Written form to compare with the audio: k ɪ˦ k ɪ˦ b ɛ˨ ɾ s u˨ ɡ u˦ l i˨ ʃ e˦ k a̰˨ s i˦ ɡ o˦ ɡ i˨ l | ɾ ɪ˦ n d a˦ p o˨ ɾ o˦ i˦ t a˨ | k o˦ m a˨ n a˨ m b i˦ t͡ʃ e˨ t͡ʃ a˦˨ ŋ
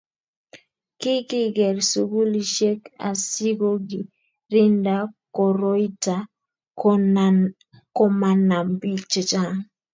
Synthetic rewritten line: k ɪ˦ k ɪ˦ ɡ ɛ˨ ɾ s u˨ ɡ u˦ l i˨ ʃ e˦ k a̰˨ s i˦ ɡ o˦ ɡ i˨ | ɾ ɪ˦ n d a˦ k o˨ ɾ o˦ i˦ t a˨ | k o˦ m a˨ n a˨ m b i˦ t͡ʃ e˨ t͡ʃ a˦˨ ŋ